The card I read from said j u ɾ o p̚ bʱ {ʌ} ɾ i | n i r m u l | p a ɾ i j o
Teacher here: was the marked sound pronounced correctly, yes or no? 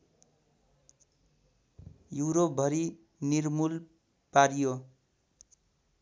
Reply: yes